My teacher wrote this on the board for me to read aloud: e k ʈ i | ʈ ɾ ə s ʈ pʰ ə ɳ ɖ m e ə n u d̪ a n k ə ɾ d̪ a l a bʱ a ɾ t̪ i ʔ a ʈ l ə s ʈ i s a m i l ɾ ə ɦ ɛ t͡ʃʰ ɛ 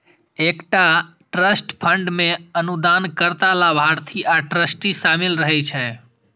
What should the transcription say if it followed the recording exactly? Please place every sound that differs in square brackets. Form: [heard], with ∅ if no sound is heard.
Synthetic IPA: e k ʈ [a] | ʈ ɾ ə s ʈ pʰ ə ɳ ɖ m e ə n u d̪ a n k ə ɾ [t̪] a l a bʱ a ɾ [t̪ʰ] i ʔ a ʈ [ɾ] ə s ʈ i s a m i l ɾ ə ɦ ɛ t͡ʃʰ ɛ